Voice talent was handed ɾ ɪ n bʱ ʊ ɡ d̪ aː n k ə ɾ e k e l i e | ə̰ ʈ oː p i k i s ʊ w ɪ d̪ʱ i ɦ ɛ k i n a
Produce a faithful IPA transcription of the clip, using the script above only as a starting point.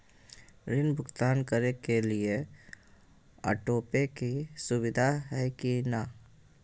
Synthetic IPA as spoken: ɾ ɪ n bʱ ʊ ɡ t̪ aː n k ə ɾ e k e l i e | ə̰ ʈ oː p e k i s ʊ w ɪ d̪ʱ a ɦ ɛ k i n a